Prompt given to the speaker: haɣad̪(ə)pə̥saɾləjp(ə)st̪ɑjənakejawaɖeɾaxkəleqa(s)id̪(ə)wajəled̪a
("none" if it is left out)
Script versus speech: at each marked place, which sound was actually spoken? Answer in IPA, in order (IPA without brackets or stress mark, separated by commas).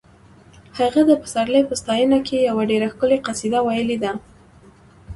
ə, ə, s, a